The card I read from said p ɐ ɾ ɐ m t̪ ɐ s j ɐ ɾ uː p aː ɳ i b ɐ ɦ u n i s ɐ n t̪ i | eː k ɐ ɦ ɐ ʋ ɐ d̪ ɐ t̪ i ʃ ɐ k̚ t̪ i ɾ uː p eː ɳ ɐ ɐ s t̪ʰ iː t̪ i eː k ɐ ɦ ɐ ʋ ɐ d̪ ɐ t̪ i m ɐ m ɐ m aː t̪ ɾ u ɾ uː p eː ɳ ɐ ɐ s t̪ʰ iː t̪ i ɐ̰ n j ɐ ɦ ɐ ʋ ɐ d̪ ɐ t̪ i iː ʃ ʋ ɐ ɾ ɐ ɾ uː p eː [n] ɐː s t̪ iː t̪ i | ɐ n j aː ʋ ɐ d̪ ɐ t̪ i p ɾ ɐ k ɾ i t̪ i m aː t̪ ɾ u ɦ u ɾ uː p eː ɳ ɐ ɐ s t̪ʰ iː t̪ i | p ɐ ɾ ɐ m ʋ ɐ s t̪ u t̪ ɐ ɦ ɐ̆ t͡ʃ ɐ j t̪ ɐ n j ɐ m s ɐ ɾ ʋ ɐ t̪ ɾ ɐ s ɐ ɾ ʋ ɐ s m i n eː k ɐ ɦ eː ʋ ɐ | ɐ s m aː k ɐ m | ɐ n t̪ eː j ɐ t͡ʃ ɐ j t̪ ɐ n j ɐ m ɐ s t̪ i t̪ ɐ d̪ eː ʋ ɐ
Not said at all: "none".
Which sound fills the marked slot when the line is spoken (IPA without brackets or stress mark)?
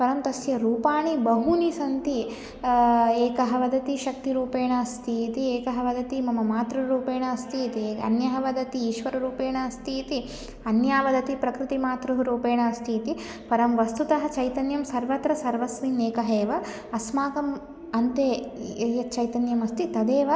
ɳ